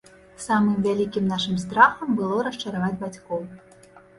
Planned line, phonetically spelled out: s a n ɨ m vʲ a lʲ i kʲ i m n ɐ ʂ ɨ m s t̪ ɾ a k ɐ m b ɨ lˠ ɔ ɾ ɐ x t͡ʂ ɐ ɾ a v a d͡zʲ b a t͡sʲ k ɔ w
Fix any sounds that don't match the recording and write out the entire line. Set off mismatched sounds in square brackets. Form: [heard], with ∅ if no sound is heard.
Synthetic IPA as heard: s a [m] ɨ m vʲ a lʲ i kʲ i m n [a] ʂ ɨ m s t̪ ɾ a [x] ɐ m b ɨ lˠ ɔ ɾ ɐ [ʂ] t͡ʂ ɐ ɾ a v a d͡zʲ b a t͡sʲ k ɔ w